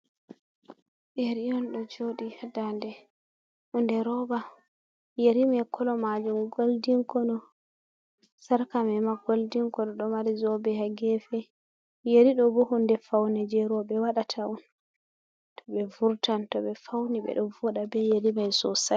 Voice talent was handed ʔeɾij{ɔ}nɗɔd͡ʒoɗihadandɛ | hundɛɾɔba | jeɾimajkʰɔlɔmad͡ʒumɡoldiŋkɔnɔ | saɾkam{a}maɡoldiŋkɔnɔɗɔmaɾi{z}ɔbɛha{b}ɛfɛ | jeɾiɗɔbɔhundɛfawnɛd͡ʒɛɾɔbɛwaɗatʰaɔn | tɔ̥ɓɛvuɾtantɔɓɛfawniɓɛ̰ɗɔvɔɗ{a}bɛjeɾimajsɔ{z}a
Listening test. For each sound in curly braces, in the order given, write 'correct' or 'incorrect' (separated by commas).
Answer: correct, incorrect, correct, incorrect, correct, incorrect